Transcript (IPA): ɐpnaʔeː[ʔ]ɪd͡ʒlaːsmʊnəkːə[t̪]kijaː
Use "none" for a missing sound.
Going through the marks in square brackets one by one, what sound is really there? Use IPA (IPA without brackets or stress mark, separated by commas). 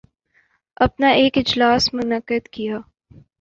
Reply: k, d̪